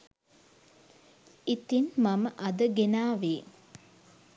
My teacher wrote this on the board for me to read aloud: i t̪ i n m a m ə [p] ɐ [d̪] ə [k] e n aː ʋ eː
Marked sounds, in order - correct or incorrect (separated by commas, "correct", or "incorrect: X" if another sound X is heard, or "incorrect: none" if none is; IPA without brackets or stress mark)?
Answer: incorrect: ʔ, correct, incorrect: ɡ